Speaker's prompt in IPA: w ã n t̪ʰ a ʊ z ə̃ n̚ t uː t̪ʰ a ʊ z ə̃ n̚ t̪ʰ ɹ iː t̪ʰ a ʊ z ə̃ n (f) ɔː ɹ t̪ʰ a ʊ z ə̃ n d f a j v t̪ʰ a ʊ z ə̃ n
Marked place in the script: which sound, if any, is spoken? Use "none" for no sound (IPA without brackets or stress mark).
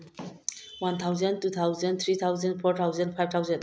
f